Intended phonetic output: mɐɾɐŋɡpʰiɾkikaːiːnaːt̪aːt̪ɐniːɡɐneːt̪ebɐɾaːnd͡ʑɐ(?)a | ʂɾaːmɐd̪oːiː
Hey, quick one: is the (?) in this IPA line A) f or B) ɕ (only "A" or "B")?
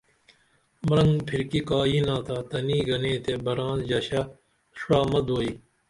B